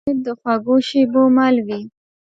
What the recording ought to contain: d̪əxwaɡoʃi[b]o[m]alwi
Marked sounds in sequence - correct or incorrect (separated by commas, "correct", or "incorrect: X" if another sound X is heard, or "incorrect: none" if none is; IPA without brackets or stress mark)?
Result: correct, correct